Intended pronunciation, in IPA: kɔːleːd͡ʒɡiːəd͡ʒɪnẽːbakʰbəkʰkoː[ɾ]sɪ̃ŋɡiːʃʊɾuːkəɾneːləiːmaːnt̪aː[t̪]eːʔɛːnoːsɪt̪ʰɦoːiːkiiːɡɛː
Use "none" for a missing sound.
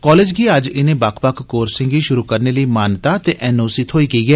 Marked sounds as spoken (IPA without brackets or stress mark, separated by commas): ɾ, t̪